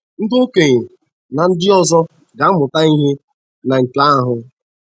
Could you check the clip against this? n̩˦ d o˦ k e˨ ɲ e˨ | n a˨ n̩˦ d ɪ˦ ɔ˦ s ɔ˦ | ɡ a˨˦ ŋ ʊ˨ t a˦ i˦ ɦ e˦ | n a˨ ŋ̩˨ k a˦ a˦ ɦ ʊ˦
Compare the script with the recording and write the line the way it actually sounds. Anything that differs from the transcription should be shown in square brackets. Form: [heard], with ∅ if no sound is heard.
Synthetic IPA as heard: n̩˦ d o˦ k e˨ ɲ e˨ | n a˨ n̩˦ d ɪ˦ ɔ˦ [z] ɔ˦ | ɡ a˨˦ [m] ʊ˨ t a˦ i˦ ɦ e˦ | n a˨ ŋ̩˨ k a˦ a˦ ɦ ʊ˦